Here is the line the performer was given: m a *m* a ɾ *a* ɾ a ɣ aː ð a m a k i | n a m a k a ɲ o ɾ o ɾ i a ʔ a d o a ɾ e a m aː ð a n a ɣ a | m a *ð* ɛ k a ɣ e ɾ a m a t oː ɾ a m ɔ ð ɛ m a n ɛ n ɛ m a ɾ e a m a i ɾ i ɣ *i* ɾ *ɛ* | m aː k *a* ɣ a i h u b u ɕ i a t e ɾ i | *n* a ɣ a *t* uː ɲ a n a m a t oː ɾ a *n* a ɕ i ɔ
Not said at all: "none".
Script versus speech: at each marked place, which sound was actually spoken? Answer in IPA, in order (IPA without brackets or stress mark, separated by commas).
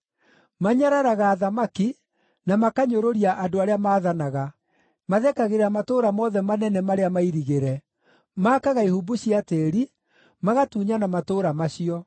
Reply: ɲ, a, ð, e, ɛ, a, m, t, m